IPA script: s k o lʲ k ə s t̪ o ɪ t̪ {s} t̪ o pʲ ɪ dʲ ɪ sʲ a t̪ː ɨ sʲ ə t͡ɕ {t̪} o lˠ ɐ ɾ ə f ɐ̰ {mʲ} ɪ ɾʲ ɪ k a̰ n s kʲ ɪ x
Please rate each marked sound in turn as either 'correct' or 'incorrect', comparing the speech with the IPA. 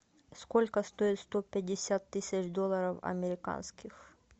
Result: correct, incorrect: d̪, correct

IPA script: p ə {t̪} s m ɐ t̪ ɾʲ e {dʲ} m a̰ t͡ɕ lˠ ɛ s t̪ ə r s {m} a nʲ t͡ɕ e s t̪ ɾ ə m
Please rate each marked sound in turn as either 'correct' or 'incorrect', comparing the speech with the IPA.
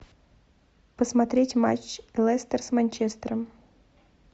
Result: incorrect: none, incorrect: tʲ, correct

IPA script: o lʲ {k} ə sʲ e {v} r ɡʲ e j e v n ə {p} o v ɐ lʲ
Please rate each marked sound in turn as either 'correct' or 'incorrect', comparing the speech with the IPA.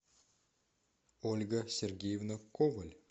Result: incorrect: ɡ, incorrect: none, incorrect: k

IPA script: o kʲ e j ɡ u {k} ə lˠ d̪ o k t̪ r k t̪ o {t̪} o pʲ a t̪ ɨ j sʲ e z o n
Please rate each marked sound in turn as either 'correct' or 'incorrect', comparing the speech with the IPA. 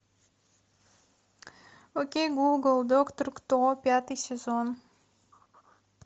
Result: incorrect: ɡ, incorrect: none

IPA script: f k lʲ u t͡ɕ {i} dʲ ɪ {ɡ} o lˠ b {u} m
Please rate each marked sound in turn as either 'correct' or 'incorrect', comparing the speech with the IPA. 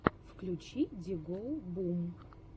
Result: correct, correct, correct

